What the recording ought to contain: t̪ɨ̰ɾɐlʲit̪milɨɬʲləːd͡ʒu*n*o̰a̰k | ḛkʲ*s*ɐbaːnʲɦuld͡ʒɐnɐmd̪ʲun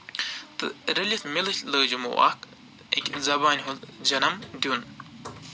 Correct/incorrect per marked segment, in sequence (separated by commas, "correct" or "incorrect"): incorrect, incorrect